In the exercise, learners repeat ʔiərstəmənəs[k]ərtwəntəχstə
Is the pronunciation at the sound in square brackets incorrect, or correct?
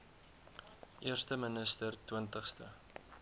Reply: incorrect